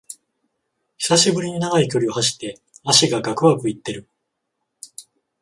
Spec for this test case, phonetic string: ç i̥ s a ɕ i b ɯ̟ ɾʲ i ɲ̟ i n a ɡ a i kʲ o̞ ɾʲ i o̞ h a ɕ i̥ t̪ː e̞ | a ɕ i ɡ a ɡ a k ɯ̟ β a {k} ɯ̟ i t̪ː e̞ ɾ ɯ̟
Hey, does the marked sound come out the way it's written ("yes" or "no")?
yes